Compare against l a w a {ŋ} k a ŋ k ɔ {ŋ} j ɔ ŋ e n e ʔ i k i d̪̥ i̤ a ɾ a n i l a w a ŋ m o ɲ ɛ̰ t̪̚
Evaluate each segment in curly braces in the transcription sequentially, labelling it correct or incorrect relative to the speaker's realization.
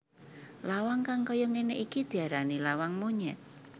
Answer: correct, incorrect: none

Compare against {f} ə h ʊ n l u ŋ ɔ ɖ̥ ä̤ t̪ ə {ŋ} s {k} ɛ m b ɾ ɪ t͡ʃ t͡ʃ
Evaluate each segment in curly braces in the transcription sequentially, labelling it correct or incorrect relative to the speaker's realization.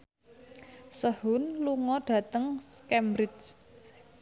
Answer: incorrect: s, correct, correct

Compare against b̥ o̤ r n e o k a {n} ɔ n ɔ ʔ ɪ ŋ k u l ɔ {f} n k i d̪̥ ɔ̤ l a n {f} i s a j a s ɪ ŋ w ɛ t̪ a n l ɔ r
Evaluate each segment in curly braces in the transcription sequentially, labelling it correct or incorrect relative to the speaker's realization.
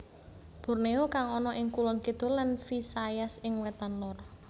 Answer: incorrect: ŋ, incorrect: none, correct

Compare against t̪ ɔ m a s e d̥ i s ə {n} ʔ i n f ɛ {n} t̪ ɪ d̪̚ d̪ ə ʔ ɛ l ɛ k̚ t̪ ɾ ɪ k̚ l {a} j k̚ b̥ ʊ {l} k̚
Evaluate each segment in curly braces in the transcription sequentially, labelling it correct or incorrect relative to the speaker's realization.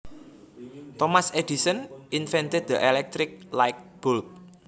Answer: correct, correct, correct, correct

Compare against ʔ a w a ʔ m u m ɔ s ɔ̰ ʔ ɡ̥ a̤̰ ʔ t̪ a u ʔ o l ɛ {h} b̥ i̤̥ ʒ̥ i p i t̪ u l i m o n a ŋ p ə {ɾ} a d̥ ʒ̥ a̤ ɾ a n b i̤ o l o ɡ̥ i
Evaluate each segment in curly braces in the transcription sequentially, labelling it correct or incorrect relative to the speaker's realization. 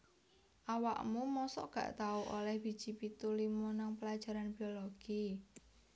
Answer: correct, incorrect: l

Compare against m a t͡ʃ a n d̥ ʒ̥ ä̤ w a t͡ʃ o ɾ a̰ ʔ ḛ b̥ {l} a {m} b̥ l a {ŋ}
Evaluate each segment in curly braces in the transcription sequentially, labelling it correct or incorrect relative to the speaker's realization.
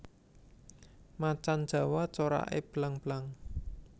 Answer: correct, incorrect: ŋ, correct

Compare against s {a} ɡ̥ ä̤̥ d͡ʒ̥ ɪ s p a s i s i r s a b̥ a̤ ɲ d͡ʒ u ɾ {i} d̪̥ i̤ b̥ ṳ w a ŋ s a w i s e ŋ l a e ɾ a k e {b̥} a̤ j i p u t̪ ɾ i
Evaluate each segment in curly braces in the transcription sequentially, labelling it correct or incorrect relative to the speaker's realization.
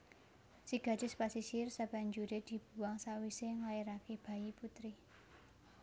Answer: incorrect: i, incorrect: e, correct

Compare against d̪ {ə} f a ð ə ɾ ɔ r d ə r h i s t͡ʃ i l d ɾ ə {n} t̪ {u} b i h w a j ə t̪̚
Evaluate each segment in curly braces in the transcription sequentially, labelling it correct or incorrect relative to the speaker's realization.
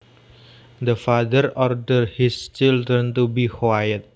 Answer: correct, correct, correct

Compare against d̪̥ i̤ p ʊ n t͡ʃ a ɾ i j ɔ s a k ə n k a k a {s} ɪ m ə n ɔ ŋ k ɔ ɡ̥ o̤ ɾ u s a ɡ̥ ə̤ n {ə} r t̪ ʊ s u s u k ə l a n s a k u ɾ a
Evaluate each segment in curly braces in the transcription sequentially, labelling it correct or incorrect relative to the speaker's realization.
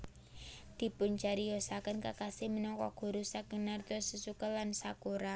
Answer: correct, incorrect: a

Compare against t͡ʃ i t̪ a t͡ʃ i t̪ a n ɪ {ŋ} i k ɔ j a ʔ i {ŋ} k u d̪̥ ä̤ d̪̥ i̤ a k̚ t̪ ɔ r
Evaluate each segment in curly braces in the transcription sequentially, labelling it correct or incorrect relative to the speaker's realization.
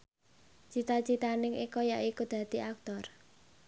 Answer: correct, incorrect: none

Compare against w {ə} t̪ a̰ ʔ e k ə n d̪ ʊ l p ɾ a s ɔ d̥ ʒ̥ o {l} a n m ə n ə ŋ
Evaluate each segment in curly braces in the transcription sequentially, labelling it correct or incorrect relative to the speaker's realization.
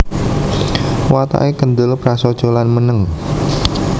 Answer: incorrect: a, correct

